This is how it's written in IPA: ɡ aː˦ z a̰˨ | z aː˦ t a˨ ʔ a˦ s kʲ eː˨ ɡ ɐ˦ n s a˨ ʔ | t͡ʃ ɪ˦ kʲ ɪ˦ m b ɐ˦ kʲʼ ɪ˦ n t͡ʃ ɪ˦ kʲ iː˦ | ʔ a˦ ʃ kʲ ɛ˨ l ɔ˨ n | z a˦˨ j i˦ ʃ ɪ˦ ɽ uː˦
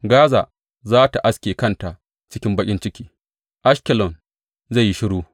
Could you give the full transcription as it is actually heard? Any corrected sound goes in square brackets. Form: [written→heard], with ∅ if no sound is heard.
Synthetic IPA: ɡ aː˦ z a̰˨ | z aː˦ t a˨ ʔ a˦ s kʲ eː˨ [ɡ→k] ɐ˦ n [s→t] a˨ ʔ | t͡ʃ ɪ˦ kʲ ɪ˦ m b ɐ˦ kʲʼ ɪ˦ n t͡ʃ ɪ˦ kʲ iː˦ | ʔ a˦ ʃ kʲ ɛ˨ l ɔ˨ n | z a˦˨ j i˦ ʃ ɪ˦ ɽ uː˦